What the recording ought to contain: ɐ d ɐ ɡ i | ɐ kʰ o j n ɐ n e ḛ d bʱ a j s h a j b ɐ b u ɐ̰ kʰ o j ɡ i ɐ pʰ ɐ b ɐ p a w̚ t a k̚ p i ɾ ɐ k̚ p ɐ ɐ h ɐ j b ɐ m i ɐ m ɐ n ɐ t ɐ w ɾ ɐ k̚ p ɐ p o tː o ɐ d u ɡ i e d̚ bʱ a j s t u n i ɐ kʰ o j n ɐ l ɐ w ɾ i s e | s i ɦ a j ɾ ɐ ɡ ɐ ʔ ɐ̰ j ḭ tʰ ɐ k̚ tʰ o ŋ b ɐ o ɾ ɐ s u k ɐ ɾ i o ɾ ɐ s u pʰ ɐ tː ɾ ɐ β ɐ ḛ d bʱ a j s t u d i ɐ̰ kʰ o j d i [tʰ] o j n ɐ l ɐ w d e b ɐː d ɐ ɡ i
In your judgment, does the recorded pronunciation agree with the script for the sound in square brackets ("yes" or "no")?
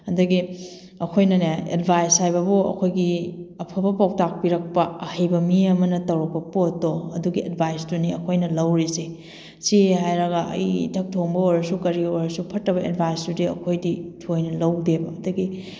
yes